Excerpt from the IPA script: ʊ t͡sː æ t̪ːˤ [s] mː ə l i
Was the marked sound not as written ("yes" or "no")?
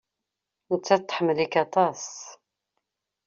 yes